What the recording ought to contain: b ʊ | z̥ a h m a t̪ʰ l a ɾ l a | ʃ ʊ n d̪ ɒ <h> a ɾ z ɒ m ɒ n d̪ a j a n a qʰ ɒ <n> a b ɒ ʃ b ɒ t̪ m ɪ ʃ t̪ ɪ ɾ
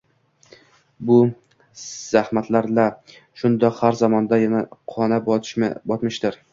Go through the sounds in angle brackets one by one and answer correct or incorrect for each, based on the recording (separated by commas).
correct, correct